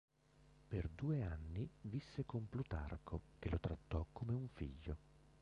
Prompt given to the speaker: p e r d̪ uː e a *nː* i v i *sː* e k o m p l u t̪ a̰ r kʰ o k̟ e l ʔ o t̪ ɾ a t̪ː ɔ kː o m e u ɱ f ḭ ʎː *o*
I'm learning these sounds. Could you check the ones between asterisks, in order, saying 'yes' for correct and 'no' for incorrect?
yes, yes, yes

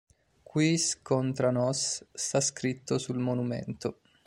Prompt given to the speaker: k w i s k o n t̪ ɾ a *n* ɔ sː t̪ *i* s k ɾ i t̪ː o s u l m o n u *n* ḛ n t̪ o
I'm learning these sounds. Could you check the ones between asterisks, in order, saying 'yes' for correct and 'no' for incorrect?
yes, no, no

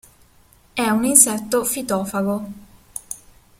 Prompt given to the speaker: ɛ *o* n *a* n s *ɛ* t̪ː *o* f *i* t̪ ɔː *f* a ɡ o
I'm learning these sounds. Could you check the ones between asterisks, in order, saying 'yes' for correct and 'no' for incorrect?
no, no, yes, yes, yes, yes

